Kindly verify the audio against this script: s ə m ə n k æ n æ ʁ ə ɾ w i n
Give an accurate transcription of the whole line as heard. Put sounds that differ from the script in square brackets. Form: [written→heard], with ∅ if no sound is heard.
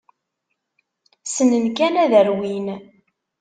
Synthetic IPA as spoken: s ə [m→n] ə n k æ n æ [ʁ→ð] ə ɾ w i n

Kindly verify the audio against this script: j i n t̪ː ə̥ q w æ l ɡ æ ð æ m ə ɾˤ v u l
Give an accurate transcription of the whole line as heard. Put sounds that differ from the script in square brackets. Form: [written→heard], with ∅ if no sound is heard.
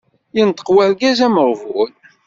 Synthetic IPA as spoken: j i n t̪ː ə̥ q w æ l ɡ æ [ð→z] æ m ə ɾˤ v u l

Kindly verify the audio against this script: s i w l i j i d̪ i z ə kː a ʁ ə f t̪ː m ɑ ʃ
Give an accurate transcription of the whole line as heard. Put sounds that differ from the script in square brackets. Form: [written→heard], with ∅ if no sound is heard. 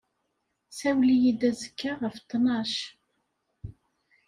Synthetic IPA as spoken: s [i→æ] w l i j i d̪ [i→æ] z ə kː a ʁ ə f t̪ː [m→n] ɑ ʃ

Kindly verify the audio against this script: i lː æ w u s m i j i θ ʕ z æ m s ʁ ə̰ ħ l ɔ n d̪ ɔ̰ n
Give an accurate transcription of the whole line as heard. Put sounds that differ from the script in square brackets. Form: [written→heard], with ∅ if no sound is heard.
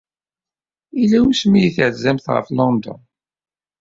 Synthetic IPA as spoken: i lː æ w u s m i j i θ ʕ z æ m [s→θ] ʁ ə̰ [ħ→f] l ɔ n d̪ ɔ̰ n

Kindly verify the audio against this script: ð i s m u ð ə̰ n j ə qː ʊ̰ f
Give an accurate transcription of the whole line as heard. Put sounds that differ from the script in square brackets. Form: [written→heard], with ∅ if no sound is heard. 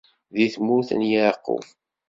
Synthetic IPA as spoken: ð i [s→θ] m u [ð→θ] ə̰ n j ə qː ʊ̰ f

